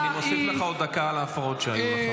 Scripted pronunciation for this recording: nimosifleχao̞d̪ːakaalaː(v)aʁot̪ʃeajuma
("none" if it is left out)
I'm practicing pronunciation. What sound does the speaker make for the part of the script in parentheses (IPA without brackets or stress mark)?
f